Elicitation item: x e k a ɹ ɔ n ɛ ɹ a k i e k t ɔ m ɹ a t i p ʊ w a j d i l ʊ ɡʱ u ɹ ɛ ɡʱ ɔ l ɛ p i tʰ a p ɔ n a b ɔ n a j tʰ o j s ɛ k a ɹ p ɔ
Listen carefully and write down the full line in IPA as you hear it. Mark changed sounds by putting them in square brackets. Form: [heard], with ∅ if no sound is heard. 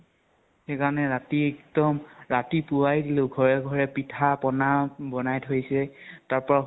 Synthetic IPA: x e k a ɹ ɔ n ɛ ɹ a [t] i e k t ɔ m ɹ a t i p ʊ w a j d i l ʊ ɡʱ [ɔ] ɹ ɛ ɡʱ ɔ [ɹ] ɛ p i tʰ a p ɔ n a b ɔ n a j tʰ o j s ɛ [t] a ɹ p ɔ